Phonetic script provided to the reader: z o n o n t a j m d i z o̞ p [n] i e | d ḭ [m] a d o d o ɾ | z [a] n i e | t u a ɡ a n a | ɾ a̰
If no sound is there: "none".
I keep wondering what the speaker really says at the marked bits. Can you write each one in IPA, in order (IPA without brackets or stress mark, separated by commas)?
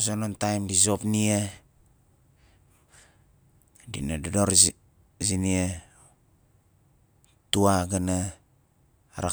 n, n, i